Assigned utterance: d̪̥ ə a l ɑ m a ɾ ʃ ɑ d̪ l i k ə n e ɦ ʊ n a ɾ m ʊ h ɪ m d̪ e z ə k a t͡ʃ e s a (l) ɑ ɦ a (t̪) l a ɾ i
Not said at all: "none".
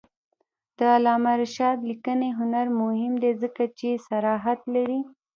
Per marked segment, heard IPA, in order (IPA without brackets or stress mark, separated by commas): ɾ, t̪